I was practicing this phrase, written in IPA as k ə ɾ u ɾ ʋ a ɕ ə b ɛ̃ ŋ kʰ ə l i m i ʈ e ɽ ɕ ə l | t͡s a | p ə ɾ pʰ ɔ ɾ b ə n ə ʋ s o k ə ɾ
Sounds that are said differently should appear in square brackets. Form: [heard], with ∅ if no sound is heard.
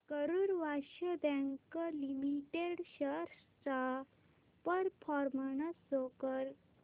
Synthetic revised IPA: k ə ɾ u ɾ ʋ a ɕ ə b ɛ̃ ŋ [k] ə l i m i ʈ e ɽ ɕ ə [ɾ] | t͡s a | p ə ɾ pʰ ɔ ɾ [m] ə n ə [∅] s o k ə ɾ

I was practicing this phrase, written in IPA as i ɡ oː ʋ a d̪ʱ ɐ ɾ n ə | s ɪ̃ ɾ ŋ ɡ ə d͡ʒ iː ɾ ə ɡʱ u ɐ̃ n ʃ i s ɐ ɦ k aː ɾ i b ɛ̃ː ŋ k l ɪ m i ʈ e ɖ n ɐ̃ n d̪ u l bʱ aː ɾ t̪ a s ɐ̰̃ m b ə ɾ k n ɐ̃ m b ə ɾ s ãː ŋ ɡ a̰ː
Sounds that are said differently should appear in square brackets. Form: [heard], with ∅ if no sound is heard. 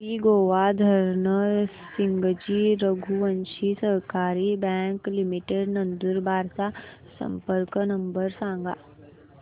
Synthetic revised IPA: i ɡ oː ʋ a d̪ʱ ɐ ɾ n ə | s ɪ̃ [∅] ŋ ɡ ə d͡ʒ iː ɾ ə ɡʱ u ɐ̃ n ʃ i s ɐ ɦ k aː ɾ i b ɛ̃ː ŋ k l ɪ m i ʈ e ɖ n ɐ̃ n d̪ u [ɾ] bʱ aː ɾ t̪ a s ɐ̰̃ m [p] ə ɾ k n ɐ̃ m b ə ɾ s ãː ŋ ɡ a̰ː

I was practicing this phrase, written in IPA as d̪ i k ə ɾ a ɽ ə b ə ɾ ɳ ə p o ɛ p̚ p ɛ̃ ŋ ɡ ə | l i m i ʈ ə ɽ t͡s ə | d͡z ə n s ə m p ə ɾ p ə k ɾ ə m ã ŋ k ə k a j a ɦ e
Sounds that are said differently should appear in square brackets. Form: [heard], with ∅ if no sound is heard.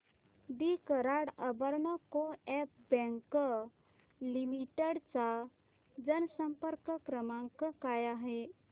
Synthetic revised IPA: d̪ i k ə ɾ a ɽ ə b ə ɾ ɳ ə [k] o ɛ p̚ [b] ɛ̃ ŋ [k] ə | l i m i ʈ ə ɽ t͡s [a] | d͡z ə n s ə m p ə ɾ [k] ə k ɾ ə m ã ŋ k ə k a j a ɦ e

